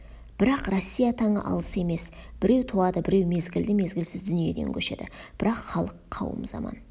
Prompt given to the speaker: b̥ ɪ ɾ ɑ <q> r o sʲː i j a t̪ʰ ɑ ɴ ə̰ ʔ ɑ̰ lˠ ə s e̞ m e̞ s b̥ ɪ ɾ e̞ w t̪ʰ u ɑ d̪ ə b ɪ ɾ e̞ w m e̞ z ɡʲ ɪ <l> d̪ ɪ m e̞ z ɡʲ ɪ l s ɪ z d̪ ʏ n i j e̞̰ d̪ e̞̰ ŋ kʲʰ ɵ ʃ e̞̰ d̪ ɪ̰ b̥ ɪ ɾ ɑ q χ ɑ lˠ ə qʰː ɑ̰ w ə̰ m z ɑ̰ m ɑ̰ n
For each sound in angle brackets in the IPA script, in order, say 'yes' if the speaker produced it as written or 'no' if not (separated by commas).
yes, yes